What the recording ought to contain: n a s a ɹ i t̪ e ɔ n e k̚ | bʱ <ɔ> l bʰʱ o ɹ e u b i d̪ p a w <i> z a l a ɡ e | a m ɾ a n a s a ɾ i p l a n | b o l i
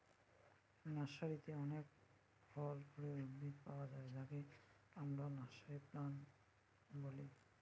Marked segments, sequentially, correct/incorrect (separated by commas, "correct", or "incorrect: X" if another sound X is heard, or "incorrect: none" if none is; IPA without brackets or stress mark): correct, incorrect: a